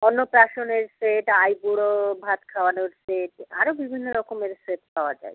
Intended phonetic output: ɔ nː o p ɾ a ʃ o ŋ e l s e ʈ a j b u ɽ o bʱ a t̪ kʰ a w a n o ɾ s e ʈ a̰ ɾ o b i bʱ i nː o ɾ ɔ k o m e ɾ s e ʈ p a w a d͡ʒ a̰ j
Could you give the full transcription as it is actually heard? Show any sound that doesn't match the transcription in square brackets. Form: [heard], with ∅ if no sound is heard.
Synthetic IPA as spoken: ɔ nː o p ɾ a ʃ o [n] e [ɾ] s e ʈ a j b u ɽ o bʱ a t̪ kʰ a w a n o ɾ s e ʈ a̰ ɾ o b i bʱ i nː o ɾ ɔ k o m e ɾ s e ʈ p a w a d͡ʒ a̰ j